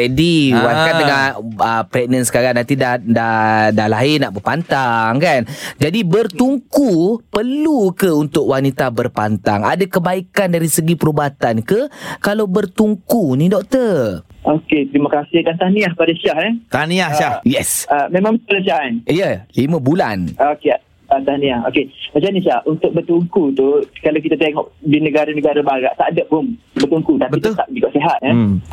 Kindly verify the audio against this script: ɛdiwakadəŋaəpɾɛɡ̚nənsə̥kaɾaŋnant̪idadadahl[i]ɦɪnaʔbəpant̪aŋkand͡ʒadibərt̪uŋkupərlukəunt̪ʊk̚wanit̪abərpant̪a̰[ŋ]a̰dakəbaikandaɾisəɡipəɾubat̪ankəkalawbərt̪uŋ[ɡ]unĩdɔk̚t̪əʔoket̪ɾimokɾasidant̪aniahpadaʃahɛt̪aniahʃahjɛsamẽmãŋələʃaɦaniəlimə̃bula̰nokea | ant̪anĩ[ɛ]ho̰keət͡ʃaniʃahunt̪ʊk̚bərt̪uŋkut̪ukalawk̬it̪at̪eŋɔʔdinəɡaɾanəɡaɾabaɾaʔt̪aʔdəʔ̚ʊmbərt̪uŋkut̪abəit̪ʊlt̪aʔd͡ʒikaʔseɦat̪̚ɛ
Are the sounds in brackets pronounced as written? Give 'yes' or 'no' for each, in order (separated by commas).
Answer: no, yes, no, no